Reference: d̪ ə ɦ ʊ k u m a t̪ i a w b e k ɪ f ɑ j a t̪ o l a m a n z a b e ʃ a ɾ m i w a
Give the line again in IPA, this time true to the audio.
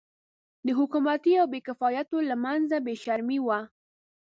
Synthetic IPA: d̪ ə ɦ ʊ k u m a t̪ i a w b e k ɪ f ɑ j a t̪ o l a m a n z a b e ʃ a ɾ m i w a